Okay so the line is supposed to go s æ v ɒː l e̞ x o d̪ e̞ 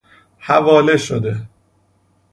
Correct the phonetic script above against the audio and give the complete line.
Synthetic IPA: h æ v ɒː l e̞ ʃ o d̪ e̞